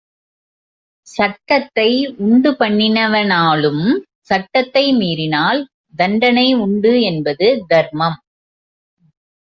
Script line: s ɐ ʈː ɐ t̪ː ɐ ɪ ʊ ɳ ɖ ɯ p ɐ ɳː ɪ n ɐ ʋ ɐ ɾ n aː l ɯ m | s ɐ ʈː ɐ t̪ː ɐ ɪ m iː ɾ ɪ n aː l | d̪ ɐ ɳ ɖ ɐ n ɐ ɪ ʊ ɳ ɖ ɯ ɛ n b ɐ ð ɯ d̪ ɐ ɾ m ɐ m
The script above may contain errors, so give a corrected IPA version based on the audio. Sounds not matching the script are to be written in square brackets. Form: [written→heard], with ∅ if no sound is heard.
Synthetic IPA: s ɐ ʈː ɐ t̪ː ɐ ɪ ʊ ɳ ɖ ɯ p ɐ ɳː ɪ n ɐ ʋ ɐ [ɾ→∅] n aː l ɯ m | s ɐ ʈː ɐ t̪ː ɐ ɪ m iː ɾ ɪ n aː l | d̪ ɐ ɳ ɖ ɐ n ɐ ɪ ʊ ɳ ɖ ɯ ɛ n b ɐ ð ɯ d̪ ɐ ɾ m ɐ m

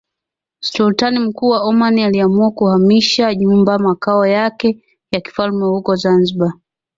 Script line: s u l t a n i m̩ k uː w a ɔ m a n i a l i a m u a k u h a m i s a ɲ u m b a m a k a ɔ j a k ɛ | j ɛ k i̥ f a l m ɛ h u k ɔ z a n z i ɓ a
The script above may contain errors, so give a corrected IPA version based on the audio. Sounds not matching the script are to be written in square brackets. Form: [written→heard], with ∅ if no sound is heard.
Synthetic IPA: s u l t a n i m̩ k uː w a ɔ m a n i a l i a m u a k u h a m i [s→ʃ] a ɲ u m b a m a k a ɔ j a k ɛ | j [ɛ→a] k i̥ f a l m ɛ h u k ɔ z a n z i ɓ a

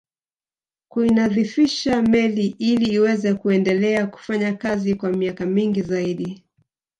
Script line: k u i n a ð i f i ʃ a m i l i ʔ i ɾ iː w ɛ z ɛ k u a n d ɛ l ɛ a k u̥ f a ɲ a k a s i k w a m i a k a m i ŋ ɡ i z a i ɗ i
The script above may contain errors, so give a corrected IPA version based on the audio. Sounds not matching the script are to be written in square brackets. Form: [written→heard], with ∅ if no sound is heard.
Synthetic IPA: k u i n a ð i f i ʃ a m [i→ɛ] l i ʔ i [ɾ→l] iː w ɛ z ɛ k u [a→ɛ] n d ɛ l ɛ a k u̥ f a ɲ a k a [s→z] i k w a m i a k a m i ŋ ɡ i z a i ɗ i

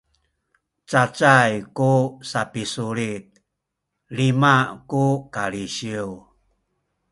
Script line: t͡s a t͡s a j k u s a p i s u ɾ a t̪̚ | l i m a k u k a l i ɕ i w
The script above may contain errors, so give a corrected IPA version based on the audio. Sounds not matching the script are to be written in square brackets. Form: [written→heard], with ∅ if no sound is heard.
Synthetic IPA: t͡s a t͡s a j k u s a p i s u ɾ [a→i] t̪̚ | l i m a k u k a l i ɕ i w

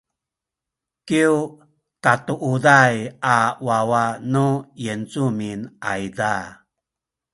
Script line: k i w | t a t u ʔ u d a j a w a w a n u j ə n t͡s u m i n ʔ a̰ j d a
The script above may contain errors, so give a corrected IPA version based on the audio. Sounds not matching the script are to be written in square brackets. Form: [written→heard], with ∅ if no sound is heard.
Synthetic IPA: k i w | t a t u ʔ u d a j a w a w a n u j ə n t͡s u m i n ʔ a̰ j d a

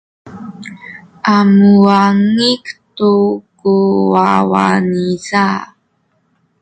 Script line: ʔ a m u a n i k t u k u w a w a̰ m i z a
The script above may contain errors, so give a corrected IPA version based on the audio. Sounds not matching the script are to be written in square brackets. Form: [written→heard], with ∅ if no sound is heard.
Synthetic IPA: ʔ a m u a [n→ŋ] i k t u k u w a w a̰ [m→n] i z a

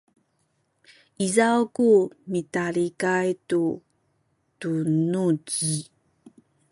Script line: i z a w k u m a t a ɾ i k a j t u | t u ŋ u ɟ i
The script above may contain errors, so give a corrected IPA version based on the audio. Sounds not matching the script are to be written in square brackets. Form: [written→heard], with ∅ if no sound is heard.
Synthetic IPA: i z a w k u m [a→i] t a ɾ i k a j t u | t u [ŋ→n] u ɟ i

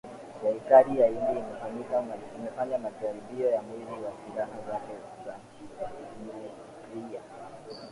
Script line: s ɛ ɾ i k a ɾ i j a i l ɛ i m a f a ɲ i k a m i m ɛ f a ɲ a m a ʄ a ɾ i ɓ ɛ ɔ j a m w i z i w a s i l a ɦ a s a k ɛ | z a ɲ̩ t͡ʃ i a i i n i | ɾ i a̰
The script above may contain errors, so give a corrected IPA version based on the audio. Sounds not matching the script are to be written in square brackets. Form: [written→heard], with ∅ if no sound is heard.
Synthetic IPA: s ɛ ɾ i k a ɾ i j a i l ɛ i m [a→ɛ] f a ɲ i k a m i m ɛ f a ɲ a m a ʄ a ɾ i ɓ [ɛ→i] ɔ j a m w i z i w a s i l a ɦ a [s→z] a k ɛ | z a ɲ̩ t͡ʃ i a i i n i | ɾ i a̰

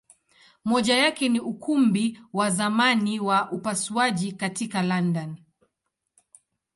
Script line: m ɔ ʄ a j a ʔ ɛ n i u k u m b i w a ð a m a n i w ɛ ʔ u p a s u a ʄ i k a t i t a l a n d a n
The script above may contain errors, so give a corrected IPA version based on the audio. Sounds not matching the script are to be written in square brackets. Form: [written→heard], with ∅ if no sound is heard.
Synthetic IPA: m ɔ ʄ a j a [ʔ→k] ɛ n i u k u m b i w a [ð→z] a m a n i w [ɛ→a] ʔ u p a s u a ʄ i k a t i [t→k] a l a n d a n

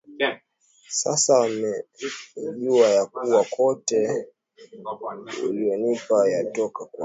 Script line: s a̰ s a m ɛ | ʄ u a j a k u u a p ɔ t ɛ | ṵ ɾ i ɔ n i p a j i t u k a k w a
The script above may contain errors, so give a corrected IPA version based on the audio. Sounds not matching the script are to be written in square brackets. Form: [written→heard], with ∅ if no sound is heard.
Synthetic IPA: s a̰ s a m ɛ | ʄ u a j a k u [u→w] a [p→k] ɔ t ɛ | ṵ [ɾ→l] i ɔ n i p a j [i→a] t [u→ɔ] k a k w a

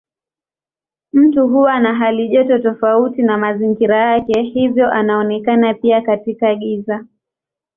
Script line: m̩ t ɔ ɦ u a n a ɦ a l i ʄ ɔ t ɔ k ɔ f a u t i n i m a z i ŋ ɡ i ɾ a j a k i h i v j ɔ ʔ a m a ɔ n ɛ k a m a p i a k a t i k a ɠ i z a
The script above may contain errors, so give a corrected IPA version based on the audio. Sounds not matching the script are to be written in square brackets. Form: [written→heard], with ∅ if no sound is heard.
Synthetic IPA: m̩ t [ɔ→u] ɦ u a n a ɦ a l i ʄ ɔ t ɔ [k→t] ɔ f a u t i n [i→a] m a z i ŋ ɡ i ɾ a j a k [i→ɛ] h i v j ɔ ʔ a [m→n] a ɔ n ɛ k a [m→n] a p i a k a t i k a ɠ i z a

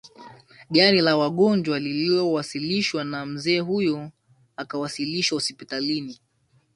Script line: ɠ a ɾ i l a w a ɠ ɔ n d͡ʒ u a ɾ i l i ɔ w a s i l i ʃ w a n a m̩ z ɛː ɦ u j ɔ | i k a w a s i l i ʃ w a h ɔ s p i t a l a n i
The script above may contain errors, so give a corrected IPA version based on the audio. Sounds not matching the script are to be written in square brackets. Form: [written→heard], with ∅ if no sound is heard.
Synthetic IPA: ɠ a ɾ i l a w a ɠ ɔ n d͡ʒ [u→w] a [ɾ→l] i l i ɔ w a s i l i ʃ w a n a m̩ z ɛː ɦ u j ɔ | [i→a] k a w a s i l i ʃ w a h ɔ s p i t a l [a→i] n i

